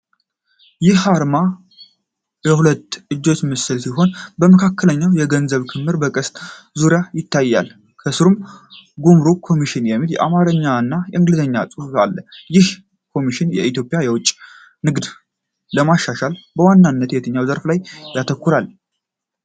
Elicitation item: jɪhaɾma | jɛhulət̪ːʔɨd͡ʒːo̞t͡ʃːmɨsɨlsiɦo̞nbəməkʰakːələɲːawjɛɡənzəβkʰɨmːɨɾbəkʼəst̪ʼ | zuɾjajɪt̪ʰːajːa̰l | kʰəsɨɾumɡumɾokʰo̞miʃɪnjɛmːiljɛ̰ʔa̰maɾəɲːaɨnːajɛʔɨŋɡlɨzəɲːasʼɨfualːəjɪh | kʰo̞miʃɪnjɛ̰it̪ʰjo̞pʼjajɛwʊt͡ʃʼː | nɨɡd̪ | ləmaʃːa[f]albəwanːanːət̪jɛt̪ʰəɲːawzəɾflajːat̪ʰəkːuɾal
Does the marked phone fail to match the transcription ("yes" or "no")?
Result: yes